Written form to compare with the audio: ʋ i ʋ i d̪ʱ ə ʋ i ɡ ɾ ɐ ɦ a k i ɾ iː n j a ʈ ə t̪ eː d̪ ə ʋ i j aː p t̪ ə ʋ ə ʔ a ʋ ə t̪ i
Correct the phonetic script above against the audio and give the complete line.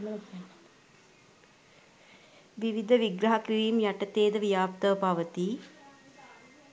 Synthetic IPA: ʋ i ʋ i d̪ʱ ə ʋ i ɡ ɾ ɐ ɦ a k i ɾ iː m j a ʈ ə t̪ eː d̪ ə ʋ i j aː p t̪ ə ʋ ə p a ʋ ə t̪ i